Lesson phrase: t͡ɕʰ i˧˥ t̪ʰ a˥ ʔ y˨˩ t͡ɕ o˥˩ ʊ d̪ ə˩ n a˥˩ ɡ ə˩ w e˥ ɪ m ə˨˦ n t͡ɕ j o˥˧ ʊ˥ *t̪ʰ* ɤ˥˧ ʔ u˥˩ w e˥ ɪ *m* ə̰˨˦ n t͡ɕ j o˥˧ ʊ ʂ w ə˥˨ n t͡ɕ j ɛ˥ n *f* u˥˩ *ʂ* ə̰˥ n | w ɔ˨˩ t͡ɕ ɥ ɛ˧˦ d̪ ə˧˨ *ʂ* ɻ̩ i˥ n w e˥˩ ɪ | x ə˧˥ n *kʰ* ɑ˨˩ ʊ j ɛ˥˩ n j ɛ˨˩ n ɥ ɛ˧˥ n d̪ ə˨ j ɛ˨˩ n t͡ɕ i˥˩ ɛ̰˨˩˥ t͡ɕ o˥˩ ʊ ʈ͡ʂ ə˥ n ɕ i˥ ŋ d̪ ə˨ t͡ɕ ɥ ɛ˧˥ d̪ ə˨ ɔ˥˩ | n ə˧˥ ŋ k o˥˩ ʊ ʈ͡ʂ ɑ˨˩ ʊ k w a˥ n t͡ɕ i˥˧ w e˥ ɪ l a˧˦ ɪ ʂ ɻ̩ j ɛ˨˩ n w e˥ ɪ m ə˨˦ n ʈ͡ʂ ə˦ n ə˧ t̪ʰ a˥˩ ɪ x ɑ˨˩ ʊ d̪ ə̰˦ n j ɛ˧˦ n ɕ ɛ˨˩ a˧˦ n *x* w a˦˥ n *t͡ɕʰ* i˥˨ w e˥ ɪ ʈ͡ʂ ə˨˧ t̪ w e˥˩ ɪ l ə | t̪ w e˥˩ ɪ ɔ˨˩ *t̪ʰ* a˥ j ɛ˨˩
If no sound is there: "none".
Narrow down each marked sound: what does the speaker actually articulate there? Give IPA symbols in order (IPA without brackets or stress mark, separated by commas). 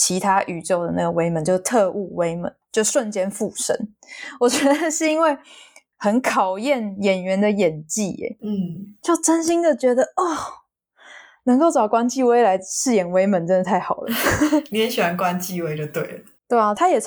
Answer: t̪ʰ, m, f, ʂ, ʂ, kʰ, k, t͡ɕ, t̪ʰ